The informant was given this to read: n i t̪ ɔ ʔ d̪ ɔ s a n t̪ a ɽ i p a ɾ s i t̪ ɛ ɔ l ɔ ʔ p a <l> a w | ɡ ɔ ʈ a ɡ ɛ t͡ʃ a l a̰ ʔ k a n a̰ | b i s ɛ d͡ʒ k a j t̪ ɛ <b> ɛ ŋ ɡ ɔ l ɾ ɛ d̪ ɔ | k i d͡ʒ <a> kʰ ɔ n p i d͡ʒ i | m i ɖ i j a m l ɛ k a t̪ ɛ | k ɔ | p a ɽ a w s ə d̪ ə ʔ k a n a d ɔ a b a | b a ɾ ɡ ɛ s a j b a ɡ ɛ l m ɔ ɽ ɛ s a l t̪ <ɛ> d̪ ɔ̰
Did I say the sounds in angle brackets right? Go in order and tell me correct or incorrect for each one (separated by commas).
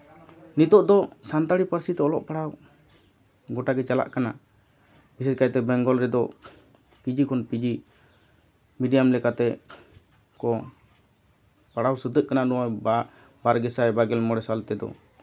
incorrect, correct, incorrect, correct